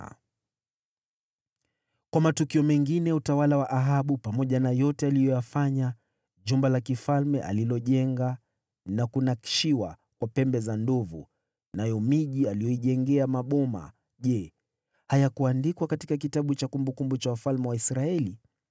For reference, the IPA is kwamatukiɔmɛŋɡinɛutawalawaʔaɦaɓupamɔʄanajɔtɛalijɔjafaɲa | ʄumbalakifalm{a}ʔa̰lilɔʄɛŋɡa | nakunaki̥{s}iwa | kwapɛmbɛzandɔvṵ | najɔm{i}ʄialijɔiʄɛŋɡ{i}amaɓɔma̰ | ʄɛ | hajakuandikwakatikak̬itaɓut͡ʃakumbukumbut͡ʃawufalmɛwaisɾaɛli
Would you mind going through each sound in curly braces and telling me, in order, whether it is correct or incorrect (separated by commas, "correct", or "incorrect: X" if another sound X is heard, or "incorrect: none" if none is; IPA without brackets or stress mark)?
incorrect: ɛ, incorrect: ʃ, correct, incorrect: ɛ